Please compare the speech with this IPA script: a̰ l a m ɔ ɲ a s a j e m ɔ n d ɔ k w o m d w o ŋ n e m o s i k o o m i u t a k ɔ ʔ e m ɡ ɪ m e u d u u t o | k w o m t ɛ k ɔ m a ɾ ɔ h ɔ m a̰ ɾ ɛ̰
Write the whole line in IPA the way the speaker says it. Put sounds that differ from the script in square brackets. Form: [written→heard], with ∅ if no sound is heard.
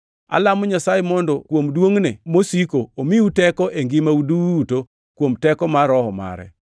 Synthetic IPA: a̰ l a m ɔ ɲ a s a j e m ɔ n d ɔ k w o m d w o ŋ n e m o s i k o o m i u t [a→ɛ] k ɔ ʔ e [m→ŋ] ɡ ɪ m [e→a] u d u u t o | k w o m t ɛ k ɔ m a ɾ ɔ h ɔ m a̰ ɾ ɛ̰